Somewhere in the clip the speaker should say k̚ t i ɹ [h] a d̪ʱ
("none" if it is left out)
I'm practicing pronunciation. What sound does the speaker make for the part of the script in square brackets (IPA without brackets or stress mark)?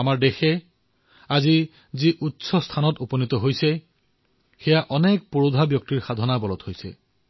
x